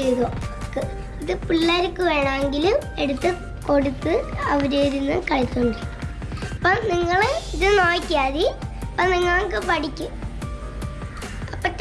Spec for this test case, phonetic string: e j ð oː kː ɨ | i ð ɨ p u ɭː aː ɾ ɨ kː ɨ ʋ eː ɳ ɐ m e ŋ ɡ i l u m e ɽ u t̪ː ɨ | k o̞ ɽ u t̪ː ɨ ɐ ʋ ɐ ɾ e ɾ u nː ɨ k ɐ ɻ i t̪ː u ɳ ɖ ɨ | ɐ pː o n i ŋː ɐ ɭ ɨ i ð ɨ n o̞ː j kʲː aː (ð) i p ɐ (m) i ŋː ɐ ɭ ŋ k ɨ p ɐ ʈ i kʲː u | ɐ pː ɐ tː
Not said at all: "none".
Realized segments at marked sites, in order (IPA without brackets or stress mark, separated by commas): ð, n